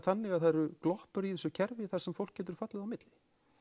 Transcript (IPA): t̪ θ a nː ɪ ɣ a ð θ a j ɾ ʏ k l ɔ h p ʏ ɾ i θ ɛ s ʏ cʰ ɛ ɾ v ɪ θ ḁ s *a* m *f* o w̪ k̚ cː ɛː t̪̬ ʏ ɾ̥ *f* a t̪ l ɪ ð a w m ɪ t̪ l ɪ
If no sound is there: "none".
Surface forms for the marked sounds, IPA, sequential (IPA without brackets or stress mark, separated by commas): ɛ, f, f